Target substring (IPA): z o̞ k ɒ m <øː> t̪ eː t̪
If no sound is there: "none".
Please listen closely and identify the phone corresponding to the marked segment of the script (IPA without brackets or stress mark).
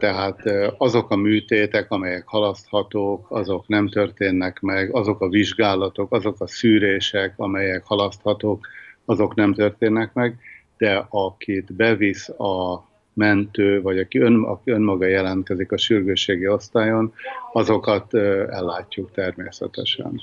yː